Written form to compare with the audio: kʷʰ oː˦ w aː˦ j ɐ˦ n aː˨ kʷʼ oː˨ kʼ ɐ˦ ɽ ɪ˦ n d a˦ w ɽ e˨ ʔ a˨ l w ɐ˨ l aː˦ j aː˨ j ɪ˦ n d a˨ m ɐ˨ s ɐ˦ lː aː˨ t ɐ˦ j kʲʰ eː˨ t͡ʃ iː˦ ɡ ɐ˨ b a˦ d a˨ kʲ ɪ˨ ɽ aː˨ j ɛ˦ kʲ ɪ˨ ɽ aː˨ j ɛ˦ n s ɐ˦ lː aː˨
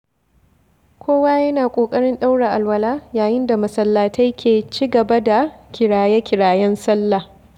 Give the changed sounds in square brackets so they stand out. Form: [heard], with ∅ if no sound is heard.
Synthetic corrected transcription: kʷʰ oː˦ w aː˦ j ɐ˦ n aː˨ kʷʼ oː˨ kʼ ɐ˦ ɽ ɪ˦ n [ɗ] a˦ w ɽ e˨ ʔ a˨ l w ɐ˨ l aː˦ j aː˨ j ɪ˦ n d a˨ m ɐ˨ s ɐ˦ lː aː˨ t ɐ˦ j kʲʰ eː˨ t͡ʃ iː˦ ɡ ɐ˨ b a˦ d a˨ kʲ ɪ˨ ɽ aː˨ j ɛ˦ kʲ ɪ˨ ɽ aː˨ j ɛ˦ n s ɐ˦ lː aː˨

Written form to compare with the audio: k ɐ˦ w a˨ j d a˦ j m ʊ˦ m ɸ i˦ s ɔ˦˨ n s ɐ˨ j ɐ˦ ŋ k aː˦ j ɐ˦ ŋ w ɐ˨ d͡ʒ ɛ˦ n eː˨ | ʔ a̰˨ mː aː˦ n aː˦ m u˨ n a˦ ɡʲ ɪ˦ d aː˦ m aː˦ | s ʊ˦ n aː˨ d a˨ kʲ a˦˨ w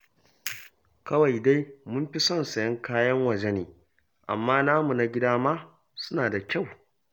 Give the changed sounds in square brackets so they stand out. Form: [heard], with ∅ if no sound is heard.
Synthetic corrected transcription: k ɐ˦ w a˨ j d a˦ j m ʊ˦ m ɸ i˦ s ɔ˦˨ n s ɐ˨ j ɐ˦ ŋ k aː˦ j ɐ˦ ŋ w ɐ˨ d͡ʒ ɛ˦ n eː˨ | ʔ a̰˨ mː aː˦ n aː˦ m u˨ n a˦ ɡʲ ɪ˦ d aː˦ m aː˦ | s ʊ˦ n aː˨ d a˨ kʲ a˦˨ w

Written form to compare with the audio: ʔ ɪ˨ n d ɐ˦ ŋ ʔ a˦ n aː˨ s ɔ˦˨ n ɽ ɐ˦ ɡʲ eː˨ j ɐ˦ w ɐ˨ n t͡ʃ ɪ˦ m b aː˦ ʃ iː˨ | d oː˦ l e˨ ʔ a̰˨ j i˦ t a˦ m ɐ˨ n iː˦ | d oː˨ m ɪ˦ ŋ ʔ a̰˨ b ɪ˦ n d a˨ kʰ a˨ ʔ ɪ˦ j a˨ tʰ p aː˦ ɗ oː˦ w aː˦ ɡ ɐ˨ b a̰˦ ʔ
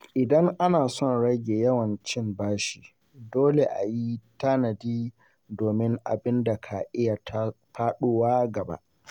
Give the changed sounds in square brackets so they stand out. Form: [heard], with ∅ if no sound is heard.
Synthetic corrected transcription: ʔ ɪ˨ [∅] d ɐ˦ ŋ ʔ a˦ n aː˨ s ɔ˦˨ n ɽ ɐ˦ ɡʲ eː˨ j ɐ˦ w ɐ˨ n t͡ʃ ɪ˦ m b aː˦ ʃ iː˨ | d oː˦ l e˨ ʔ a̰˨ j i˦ t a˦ [n] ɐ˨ [d] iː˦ | d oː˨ m ɪ˦ ŋ ʔ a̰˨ b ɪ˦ n d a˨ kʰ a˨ ʔ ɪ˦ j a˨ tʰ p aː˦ ɗ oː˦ w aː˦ ɡ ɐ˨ b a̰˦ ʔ

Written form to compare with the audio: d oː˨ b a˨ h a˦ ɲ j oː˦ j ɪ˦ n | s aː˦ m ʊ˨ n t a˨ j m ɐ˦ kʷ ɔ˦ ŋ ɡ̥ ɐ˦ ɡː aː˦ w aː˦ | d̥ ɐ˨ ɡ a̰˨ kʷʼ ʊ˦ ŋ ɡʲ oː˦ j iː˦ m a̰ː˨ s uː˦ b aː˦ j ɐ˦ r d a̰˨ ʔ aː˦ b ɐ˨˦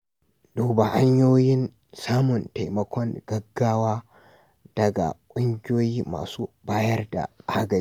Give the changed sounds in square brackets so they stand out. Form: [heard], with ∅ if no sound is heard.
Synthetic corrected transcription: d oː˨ b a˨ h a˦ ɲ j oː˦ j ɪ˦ n | s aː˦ m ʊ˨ n t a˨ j m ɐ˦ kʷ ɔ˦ ŋ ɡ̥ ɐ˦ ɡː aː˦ w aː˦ | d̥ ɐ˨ ɡ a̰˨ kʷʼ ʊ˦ ŋ ɡʲ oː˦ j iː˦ m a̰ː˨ s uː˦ b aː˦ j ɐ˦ r d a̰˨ ʔ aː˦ [ɡ] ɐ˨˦

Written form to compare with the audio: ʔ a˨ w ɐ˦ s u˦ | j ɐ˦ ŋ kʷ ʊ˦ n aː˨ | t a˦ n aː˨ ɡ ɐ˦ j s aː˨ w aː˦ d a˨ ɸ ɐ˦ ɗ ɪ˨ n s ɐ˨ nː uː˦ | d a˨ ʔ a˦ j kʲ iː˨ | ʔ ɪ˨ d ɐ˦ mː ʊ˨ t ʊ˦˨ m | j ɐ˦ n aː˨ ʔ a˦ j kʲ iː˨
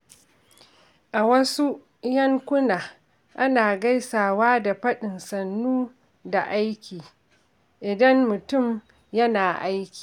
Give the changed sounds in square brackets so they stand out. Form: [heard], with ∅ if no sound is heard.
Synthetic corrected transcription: ʔ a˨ w ɐ˦ s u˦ | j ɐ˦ ŋ kʷ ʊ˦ n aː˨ | [ʔ] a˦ n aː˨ ɡ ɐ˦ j s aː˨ w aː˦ d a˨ ɸ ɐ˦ ɗ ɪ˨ n s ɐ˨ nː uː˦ | d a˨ ʔ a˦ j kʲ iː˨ | ʔ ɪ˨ d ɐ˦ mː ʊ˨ t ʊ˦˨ m | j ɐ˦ n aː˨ ʔ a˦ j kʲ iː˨

